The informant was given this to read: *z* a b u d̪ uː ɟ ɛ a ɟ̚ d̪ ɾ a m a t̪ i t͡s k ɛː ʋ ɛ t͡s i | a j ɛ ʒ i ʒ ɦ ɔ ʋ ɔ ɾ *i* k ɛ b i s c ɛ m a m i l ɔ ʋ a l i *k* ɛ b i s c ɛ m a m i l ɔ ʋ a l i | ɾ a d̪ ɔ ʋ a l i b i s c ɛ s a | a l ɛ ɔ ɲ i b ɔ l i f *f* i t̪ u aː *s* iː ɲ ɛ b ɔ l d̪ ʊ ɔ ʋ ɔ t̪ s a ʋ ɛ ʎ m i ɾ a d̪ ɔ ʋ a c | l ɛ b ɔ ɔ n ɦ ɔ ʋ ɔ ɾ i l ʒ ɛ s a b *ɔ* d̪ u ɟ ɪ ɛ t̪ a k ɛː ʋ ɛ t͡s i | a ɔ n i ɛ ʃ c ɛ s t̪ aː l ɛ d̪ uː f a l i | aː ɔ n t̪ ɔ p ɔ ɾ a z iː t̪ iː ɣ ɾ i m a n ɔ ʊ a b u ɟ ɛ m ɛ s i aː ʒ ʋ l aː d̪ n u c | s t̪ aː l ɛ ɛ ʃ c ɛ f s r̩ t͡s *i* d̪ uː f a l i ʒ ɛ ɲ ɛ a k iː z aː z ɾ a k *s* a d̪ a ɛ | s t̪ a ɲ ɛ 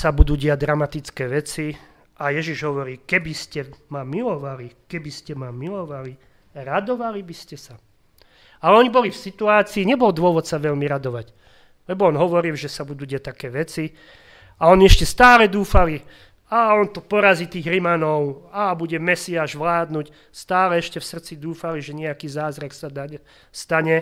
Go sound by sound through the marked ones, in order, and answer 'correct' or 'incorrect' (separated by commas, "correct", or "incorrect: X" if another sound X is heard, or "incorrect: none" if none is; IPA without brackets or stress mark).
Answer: incorrect: s, incorrect: iː, correct, incorrect: s, incorrect: t͡s, incorrect: u, correct, correct